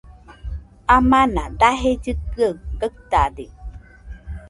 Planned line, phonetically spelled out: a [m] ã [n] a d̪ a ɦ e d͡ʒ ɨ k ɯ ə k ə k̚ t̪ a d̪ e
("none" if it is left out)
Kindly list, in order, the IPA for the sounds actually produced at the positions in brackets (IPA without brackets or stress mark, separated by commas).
m, n